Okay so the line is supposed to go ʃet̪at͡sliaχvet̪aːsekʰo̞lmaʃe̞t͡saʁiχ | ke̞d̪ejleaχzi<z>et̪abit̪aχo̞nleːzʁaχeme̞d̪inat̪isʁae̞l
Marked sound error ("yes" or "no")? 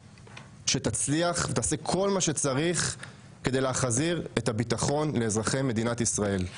yes